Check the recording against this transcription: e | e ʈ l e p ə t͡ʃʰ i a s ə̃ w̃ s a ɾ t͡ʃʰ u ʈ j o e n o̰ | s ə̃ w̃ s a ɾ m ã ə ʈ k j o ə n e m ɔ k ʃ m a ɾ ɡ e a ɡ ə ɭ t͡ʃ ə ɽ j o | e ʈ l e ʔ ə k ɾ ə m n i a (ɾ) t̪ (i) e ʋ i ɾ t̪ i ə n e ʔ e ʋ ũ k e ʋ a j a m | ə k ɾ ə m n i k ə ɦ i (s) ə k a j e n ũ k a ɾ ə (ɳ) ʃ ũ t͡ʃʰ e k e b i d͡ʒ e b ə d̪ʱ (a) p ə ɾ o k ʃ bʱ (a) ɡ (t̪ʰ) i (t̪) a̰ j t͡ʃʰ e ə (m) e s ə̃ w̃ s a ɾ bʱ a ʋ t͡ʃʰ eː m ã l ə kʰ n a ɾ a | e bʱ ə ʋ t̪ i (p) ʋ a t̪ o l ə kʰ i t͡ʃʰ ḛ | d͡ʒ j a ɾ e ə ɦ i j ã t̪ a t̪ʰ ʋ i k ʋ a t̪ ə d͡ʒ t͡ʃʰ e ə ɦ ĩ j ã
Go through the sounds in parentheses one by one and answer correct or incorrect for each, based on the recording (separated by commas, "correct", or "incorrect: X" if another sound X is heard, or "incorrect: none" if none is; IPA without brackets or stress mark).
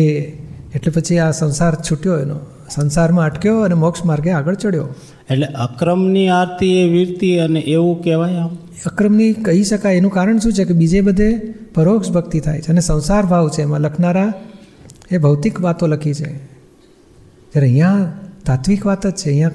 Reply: correct, correct, incorrect: ʃ, correct, incorrect: e, incorrect: ə, incorrect: t̪, incorrect: t̪ʰ, incorrect: n, incorrect: k